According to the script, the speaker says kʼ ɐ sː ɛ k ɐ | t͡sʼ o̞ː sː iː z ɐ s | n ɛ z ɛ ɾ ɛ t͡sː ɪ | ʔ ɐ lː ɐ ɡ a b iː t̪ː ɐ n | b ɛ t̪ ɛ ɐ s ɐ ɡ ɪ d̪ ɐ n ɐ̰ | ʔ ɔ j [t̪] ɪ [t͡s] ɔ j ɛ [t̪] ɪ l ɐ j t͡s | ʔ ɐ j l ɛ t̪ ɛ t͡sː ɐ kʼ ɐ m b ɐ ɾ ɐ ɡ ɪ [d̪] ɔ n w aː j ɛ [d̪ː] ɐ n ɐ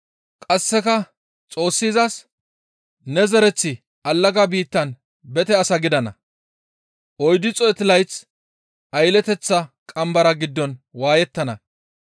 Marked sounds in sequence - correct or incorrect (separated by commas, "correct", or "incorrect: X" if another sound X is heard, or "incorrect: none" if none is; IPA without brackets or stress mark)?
incorrect: d̪, incorrect: t͡sʼ, correct, incorrect: d̪ː, incorrect: t̪ː